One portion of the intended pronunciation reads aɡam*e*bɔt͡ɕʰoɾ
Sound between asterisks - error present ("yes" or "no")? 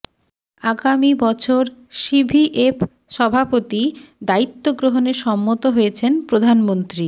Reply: yes